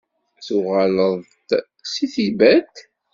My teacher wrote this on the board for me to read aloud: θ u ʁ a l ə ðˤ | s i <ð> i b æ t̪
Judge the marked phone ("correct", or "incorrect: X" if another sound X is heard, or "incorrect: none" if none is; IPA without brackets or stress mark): incorrect: θ